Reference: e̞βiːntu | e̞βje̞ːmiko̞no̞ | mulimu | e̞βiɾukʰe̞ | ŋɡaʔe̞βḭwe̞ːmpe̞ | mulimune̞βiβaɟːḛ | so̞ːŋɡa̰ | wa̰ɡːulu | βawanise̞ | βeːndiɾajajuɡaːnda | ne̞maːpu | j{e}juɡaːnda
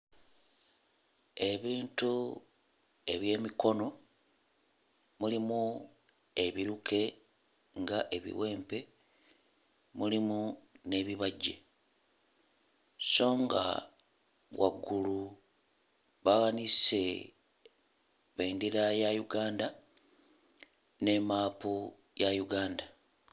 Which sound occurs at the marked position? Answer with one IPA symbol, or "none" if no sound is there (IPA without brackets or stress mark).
a